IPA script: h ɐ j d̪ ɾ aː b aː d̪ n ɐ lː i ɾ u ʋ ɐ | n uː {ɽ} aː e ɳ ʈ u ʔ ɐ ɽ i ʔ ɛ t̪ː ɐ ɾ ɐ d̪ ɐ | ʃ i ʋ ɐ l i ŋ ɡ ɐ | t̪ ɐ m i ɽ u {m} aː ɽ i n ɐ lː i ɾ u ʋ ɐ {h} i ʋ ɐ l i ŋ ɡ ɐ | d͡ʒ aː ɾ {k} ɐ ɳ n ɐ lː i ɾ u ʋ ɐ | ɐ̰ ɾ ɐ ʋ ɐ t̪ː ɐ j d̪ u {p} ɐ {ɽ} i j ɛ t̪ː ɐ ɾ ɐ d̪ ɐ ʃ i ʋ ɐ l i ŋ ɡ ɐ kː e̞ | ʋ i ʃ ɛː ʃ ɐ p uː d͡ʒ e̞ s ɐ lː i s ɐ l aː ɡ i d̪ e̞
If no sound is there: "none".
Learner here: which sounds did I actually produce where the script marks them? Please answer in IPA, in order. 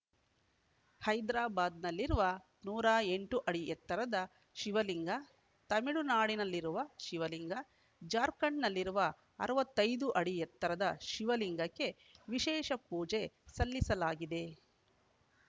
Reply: ɾ, n, ʃ, k, ʔ, ɽ

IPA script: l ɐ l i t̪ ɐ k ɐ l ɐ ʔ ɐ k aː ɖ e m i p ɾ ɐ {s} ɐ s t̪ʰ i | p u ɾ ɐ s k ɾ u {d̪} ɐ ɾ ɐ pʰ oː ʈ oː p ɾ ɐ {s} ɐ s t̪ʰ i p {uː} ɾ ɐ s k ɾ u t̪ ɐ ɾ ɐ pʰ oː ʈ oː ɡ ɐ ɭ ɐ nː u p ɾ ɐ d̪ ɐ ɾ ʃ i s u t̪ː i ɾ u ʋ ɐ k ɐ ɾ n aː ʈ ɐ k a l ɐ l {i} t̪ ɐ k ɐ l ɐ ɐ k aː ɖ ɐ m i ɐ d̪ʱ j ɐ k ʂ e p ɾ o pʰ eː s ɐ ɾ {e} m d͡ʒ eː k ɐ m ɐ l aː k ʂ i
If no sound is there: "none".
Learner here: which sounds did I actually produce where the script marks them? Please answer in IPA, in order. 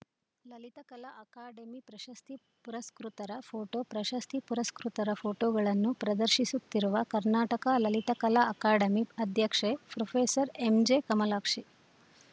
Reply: ʃ, t̪, ʃ, u, i, e

